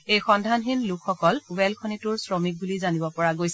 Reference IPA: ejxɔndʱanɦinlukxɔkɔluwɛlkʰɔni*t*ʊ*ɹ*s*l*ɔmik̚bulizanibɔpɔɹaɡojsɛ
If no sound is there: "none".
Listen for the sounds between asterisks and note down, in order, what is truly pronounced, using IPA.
t, ɹ, ɹ

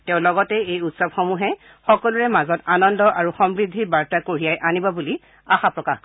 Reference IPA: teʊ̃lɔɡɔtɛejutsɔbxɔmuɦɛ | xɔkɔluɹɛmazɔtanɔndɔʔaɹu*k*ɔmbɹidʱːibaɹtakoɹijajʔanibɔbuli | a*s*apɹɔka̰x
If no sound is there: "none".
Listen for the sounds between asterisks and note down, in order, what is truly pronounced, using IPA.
x, x

